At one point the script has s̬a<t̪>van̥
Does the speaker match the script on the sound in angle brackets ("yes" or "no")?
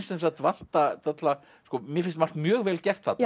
yes